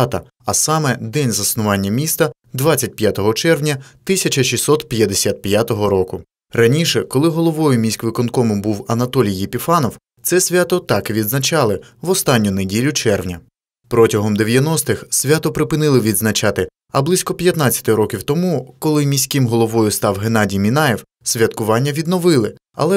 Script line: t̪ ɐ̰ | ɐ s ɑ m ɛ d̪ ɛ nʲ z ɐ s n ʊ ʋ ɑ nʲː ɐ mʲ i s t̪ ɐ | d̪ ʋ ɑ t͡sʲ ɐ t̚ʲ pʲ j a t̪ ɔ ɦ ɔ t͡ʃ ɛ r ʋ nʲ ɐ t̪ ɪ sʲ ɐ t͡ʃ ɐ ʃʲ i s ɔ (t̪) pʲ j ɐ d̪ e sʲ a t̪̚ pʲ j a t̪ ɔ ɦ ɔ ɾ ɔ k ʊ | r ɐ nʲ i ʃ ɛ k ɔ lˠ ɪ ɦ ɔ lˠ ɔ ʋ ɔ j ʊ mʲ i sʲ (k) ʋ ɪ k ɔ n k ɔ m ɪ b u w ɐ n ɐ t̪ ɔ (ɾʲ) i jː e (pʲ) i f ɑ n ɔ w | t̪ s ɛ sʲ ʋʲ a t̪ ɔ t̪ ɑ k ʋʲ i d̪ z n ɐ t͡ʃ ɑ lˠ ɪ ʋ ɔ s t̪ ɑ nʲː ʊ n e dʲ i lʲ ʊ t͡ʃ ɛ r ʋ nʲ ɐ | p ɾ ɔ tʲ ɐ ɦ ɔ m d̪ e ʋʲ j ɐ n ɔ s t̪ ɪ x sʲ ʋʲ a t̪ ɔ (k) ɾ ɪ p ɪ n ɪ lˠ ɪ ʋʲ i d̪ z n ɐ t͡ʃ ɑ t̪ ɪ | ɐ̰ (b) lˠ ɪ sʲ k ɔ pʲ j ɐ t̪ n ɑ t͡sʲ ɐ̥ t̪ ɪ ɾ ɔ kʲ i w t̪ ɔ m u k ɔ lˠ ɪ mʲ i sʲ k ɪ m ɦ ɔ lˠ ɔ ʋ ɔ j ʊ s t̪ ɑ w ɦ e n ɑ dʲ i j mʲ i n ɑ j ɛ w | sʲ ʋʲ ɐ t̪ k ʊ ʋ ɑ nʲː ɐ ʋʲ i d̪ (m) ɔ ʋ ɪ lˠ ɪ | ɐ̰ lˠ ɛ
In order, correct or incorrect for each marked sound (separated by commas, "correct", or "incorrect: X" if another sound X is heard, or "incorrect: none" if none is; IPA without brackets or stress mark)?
correct, correct, incorrect: lʲ, correct, incorrect: p, correct, incorrect: n